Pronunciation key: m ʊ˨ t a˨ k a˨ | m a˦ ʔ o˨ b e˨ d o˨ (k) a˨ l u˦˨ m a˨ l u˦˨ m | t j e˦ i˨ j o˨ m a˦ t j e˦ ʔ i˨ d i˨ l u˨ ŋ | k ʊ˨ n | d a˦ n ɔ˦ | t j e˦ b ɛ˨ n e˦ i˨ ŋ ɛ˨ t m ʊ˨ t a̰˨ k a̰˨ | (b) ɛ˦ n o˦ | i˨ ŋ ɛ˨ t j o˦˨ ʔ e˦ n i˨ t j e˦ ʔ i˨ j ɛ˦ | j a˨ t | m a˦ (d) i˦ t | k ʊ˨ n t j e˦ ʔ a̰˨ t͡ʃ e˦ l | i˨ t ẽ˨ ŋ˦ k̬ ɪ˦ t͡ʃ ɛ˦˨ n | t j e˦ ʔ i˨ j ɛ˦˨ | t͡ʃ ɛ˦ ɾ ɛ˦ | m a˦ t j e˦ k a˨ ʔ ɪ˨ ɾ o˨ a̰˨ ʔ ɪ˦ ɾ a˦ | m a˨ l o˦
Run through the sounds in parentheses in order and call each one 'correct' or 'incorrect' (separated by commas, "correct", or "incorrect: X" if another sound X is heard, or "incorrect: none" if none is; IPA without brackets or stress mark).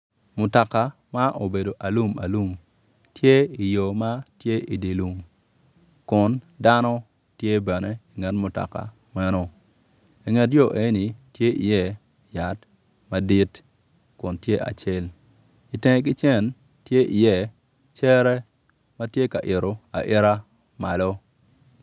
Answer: incorrect: ʔ, incorrect: m, correct